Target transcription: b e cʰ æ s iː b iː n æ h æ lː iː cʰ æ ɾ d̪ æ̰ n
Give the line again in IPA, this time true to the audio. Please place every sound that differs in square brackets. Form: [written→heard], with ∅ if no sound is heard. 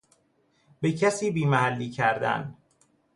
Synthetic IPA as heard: b e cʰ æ s iː b iː [n→m] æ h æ lː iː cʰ æ ɾ d̪ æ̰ n